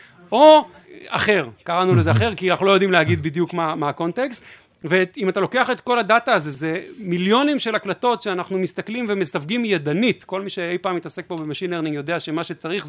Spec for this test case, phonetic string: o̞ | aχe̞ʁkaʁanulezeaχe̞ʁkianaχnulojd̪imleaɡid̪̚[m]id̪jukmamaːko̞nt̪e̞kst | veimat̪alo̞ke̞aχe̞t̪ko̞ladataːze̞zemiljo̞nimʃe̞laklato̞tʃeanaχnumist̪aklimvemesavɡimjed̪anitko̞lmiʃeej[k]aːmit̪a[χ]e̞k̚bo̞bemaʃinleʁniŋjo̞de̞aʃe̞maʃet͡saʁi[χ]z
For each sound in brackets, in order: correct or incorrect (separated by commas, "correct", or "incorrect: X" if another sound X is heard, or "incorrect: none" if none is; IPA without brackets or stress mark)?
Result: incorrect: b, incorrect: p, incorrect: s, correct